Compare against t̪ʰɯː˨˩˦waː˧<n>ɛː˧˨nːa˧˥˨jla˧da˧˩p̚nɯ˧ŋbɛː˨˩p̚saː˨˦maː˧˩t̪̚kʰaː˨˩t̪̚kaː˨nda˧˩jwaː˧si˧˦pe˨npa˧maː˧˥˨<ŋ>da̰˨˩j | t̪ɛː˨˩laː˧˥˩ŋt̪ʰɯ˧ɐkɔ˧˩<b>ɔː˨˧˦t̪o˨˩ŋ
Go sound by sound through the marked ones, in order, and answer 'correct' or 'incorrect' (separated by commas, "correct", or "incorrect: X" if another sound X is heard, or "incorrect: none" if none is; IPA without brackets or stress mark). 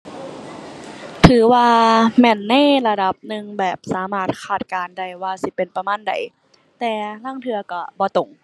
incorrect: m, incorrect: n, correct